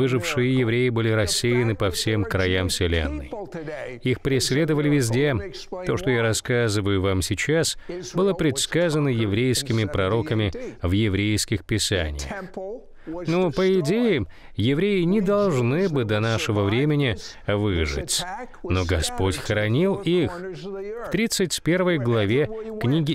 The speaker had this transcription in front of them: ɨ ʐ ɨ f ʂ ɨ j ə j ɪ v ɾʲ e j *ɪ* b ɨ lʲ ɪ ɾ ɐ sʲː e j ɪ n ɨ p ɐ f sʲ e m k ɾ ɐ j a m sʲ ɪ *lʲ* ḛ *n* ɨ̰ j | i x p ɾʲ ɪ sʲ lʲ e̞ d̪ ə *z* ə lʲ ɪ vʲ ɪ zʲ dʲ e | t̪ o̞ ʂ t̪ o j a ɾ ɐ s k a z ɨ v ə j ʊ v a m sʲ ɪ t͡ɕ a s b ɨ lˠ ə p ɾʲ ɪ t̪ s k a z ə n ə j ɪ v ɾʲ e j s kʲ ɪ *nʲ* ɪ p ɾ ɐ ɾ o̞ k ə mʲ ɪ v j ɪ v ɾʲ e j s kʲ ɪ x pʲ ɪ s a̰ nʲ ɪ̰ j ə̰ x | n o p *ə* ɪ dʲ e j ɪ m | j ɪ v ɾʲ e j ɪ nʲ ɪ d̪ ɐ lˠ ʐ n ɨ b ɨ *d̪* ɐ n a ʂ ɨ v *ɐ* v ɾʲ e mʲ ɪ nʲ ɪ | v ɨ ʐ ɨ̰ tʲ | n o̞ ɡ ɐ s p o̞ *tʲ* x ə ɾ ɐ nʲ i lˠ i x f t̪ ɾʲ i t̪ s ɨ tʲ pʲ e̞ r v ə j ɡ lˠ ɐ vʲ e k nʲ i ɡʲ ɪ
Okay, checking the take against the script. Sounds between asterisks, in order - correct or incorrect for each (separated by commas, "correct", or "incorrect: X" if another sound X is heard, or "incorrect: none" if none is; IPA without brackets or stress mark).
correct, correct, incorrect: nː, incorrect: v, incorrect: mʲ, correct, correct, incorrect: ə, correct